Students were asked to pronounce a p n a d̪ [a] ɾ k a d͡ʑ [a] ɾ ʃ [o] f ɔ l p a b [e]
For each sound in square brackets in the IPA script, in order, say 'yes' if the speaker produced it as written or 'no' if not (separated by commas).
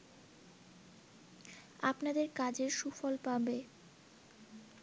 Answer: no, no, no, yes